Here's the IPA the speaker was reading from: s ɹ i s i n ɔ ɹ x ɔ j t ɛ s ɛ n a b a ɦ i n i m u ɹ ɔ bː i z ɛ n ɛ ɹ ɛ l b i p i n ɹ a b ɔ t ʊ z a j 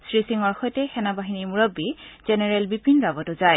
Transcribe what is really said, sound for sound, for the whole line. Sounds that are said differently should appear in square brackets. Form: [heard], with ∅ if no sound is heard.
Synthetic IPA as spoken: s ɹ i s i [ŋ] ɔ ɹ x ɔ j t ɛ [x] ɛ n a b a ɦ i n i m u ɹ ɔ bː i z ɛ n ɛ ɹ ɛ l b i p i n ɹ a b ɔ t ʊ z a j